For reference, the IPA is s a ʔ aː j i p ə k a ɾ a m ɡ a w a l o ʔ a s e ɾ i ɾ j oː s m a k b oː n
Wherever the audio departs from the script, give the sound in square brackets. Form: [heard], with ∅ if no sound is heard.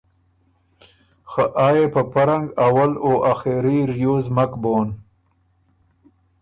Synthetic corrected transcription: [x] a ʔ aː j [e] p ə [p] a ɾ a [ŋ] ɡ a w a l o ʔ a [x] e ɾ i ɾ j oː [z] m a k b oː n

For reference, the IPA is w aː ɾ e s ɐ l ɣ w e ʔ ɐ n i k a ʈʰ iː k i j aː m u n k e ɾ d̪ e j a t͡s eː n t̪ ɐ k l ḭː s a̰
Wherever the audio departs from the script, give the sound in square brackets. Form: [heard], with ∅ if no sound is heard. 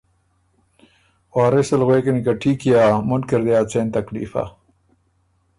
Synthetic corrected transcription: w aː ɾ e s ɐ l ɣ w e [k] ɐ n i k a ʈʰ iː k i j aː m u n k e ɾ d̪ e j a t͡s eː n t̪ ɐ k l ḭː [f] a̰

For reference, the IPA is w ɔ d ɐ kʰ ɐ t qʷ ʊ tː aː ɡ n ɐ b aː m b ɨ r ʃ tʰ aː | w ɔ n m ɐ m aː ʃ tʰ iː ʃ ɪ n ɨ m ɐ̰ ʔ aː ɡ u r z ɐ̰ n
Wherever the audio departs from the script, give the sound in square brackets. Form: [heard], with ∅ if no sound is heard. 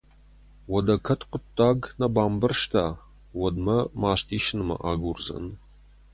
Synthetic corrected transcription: w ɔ d ɐ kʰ ɐ t qʷ ʊ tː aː ɡ n ɐ b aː m b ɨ r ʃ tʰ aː | w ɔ [d] m ɐ m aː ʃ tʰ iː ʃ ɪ n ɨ m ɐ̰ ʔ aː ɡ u r z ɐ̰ n

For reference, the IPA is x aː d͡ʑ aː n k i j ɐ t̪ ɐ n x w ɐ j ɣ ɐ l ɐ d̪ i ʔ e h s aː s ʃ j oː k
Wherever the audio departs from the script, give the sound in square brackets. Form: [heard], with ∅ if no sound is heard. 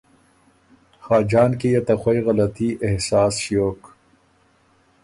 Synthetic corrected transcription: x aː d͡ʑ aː n k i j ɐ t̪ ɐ [∅] x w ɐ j ɣ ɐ l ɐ [t̪] i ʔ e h s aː s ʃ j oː k

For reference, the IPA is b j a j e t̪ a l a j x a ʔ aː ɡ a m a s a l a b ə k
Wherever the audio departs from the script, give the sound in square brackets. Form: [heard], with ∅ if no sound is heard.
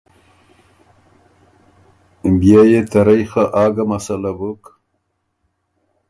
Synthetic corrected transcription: b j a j e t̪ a [ɾ] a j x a ʔ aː ɡ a m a s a l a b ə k

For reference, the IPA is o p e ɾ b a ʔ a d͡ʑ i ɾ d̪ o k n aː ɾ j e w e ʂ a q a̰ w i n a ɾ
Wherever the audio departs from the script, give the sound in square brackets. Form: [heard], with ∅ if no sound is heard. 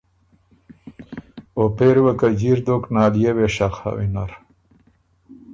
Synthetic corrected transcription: o p e ɾ [w] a [k] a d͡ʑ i ɾ d̪ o k n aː [l] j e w e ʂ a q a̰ w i n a ɾ

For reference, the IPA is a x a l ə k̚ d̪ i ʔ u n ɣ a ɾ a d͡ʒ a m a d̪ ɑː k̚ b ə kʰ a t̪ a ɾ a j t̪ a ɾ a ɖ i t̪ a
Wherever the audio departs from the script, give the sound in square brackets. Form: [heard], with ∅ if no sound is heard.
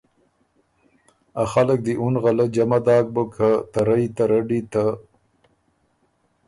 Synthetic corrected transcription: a x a l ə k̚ d̪ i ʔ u n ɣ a [l] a d͡ʒ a m a d̪ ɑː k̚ b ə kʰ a t̪ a ɾ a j t̪ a ɾ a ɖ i t̪ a

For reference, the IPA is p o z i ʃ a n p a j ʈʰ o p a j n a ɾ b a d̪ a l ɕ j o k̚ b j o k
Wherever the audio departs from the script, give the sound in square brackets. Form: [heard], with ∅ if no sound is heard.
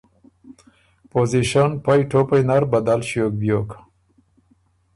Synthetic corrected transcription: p o z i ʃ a n p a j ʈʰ o p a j n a ɾ b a d̪ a l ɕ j o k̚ b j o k

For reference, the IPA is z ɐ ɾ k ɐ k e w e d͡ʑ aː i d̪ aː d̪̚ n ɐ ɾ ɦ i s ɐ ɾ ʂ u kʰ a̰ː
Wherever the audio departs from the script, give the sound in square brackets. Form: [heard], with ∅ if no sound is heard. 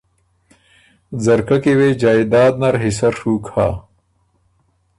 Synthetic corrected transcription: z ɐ ɾ k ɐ k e w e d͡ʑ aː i d̪ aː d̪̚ n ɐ ɾ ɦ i s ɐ ɾ ʂ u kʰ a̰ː

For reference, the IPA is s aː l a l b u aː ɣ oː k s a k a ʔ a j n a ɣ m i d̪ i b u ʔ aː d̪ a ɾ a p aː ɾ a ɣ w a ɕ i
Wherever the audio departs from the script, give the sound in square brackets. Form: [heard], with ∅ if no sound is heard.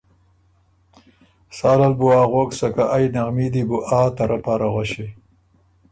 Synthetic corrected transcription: s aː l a l b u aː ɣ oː k s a k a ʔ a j n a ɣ m i d̪ i b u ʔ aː [t̪] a ɾ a p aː ɾ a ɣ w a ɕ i

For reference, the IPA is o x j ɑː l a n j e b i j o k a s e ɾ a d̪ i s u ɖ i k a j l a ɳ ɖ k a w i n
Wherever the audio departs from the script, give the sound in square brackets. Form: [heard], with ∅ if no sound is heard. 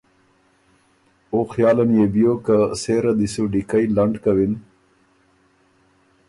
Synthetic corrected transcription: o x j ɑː l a n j e b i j o k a s e ɾ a d̪ i s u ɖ i k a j l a ɳ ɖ k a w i n

